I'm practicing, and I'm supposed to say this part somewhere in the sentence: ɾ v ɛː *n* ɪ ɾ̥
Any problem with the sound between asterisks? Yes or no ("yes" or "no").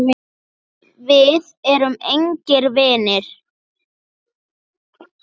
no